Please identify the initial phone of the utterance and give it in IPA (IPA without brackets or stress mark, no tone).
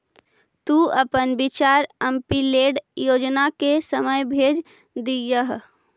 t̪